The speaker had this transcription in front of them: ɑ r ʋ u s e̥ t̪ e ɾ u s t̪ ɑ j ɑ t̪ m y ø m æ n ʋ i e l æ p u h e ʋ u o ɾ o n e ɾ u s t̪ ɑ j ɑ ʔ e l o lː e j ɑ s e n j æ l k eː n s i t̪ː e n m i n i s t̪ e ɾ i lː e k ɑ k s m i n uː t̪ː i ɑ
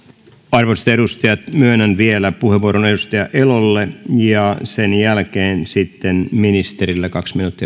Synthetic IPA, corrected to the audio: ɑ r ʋ o s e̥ t̪ e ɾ u s t̪ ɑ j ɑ t̪ m y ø n æ n ʋ i e l æ p u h e ʋ u o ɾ o n e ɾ u s t̪ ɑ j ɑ ʔ e l o lː e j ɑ s e n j æ l k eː n s i t̪ː e n m i n i s t̪ e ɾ i lː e k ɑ k s m i n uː t̪ː i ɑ